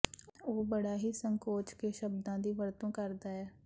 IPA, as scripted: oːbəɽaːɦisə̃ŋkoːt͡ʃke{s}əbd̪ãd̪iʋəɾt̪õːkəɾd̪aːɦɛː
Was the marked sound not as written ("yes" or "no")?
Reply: yes